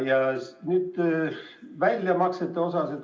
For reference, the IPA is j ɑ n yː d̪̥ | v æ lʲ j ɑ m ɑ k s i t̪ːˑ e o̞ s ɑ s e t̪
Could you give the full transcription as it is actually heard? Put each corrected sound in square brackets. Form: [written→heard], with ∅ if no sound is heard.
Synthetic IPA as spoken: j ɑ n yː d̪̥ | v æ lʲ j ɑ m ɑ k s [i→e] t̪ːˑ e o̞ s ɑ s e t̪